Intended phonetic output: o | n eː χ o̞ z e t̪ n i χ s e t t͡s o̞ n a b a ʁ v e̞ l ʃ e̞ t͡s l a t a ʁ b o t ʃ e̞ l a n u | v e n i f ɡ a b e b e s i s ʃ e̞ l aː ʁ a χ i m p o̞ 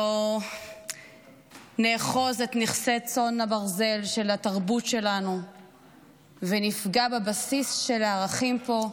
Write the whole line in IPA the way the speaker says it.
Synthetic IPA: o | n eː χ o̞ z e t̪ n i χ s e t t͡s o̞ n a b a ʁ z e̞ l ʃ e̞ l a t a ʁ b u t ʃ e̞ l a n u | v e n i f ɡ a b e b a s i s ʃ e̞ l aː ʁ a χ i m p o̞